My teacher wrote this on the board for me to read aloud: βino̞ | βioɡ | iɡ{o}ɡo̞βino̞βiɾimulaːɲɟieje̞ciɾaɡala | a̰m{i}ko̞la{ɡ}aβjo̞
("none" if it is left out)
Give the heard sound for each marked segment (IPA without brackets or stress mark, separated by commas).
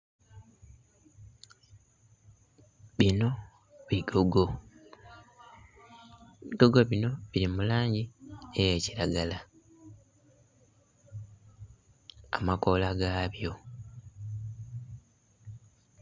o, a, ɡ